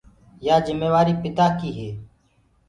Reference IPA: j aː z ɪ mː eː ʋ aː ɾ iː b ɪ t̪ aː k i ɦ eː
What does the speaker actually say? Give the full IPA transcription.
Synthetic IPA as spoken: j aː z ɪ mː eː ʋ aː ɾ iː p ɪ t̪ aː k iː ɦ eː